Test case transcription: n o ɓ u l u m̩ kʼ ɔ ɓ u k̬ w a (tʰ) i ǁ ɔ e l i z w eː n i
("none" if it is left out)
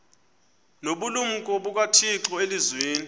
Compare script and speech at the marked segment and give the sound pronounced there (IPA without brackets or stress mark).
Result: tʰ